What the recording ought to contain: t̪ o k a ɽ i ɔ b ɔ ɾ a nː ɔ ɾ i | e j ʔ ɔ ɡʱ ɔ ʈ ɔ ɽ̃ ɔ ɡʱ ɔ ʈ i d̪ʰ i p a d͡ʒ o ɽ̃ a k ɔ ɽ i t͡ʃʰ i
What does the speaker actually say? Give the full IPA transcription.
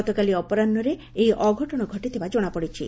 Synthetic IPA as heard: t̪ o k a l i ɔ p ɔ ɾ a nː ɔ ɾ e | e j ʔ ɔ ɡʱ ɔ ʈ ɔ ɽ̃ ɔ ɡʱ ɔ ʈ i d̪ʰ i b a d͡ʒ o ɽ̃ a p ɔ ɽ i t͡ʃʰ i